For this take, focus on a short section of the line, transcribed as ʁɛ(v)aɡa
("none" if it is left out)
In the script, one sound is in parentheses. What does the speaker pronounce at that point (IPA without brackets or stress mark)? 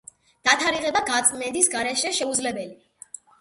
b